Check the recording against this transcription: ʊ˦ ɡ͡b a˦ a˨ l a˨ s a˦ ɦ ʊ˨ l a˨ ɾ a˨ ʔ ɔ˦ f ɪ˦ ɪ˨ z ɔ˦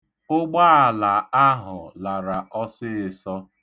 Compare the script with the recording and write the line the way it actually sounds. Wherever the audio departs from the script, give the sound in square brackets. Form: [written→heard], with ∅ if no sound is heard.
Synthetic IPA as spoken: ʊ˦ ɡ͡b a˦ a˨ l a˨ [s→∅] a˦ ɦ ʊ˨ l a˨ ɾ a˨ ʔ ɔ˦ [f→s] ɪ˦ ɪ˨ [z→s] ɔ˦